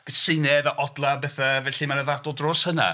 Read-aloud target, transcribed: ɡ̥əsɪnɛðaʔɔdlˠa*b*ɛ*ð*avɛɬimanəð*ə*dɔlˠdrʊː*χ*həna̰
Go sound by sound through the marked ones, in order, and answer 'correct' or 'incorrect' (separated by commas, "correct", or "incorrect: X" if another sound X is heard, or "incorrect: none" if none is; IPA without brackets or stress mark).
correct, incorrect: θ, incorrect: a, incorrect: s